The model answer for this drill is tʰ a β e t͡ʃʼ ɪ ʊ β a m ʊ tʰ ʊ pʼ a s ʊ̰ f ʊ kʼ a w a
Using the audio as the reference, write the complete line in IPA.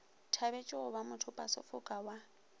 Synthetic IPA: tʰ a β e t͡ʃʼ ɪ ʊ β a m ʊ tʰ ʊ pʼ a s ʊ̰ f ʊ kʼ a w a